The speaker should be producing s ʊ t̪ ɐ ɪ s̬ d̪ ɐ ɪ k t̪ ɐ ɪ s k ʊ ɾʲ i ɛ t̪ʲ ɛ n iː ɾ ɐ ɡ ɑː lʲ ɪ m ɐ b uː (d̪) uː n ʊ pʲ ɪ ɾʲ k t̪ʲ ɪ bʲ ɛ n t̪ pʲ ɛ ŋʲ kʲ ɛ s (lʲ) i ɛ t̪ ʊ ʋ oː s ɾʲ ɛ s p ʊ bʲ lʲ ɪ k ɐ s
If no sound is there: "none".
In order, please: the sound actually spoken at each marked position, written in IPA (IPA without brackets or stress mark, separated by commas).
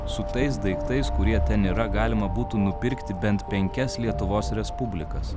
t̪, lʲ